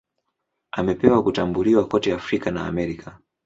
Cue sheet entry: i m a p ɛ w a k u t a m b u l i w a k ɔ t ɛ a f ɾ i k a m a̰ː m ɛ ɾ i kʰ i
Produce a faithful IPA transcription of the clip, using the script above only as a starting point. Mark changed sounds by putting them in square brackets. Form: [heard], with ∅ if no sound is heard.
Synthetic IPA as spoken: [a] m [ɛ] p ɛ w a k u t a m b u l i w a k ɔ t ɛ a f ɾ i k a [n] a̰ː m ɛ ɾ i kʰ [a]